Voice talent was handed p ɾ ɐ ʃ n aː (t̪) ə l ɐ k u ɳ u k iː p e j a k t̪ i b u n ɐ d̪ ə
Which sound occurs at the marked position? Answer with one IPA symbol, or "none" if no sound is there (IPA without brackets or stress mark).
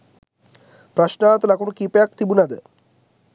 t̪